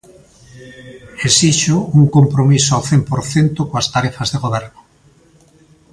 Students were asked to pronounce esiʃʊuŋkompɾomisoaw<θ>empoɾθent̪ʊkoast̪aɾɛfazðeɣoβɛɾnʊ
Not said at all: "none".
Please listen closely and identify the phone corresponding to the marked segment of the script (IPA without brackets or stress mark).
θ